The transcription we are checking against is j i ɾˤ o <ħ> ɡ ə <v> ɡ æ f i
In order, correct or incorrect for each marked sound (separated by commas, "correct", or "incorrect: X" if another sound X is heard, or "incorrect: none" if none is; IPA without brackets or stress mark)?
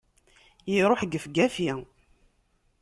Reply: correct, incorrect: f